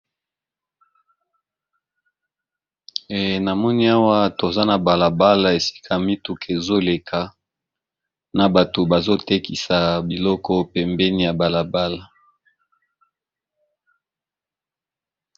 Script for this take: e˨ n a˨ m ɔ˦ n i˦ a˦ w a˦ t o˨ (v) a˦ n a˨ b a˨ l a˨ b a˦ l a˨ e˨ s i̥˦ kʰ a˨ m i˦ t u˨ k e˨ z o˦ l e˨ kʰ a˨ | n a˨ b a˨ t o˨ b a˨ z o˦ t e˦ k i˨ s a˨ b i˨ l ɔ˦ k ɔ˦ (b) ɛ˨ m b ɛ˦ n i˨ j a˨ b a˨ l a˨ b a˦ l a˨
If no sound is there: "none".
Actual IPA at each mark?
z, p

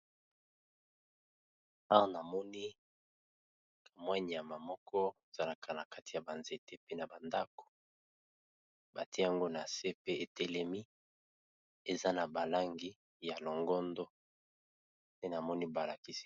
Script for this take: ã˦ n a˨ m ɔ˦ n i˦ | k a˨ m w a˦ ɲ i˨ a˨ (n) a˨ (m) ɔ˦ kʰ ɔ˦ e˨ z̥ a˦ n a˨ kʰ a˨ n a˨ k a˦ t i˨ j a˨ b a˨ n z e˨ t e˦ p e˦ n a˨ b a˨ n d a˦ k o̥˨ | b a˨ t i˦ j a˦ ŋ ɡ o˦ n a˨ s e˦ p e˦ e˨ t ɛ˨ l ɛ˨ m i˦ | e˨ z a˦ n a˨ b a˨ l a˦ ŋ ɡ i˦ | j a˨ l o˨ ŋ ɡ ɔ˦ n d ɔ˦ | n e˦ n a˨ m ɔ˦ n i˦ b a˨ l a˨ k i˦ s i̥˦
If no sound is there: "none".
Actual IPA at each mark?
m, m

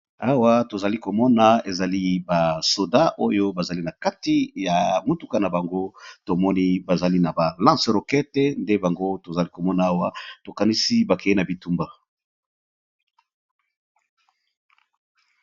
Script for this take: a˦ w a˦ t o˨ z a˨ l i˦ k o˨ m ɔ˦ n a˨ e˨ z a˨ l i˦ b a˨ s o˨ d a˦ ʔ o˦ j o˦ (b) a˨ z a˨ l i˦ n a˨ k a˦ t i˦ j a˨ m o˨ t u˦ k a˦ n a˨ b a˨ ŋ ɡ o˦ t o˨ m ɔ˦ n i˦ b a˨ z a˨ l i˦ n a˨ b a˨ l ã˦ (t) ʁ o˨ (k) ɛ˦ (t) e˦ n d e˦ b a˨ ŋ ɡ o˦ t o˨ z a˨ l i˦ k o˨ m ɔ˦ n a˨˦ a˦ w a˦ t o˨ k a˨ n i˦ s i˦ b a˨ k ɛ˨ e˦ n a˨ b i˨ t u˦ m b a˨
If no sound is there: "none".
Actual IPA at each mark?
b, s, k, t

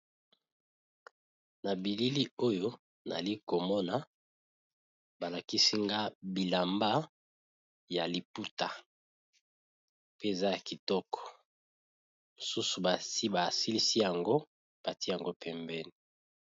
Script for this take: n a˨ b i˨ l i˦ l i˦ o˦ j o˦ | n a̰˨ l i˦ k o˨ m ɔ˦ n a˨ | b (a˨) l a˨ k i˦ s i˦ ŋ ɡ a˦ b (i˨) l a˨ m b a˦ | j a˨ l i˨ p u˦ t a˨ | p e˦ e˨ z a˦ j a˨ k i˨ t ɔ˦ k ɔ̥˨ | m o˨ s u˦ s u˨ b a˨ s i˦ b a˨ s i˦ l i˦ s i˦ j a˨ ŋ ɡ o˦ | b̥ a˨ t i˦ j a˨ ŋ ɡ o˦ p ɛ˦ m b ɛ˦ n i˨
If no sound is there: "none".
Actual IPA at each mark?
a˨, i˨

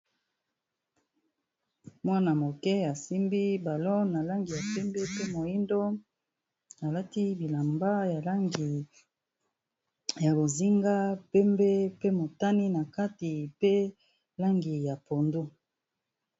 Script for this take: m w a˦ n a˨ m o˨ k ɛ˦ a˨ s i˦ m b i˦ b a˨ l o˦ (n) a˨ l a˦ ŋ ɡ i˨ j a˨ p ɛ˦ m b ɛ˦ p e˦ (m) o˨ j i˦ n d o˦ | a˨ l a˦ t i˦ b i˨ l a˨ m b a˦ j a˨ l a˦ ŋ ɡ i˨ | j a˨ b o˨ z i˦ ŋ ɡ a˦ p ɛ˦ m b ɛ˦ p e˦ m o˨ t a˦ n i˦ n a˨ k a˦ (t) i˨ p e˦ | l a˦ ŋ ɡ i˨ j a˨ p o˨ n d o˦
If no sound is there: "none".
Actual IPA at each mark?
n, m, t

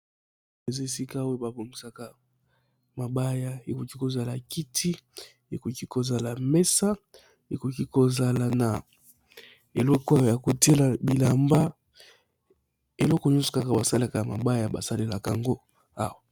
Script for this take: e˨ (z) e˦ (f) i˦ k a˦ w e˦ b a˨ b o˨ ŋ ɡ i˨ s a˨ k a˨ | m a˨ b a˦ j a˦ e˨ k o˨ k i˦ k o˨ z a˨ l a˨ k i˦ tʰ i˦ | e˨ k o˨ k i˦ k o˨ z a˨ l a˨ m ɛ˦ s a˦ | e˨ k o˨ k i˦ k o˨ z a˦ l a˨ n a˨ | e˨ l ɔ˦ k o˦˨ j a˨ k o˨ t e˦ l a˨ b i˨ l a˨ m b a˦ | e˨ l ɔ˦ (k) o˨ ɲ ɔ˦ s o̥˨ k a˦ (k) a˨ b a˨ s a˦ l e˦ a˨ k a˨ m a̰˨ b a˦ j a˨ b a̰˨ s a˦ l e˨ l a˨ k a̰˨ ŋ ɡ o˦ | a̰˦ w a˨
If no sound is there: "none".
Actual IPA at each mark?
z, s, k, k

